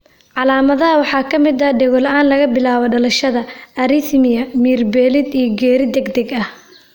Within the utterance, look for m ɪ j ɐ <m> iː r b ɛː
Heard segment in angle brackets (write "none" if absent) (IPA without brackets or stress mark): m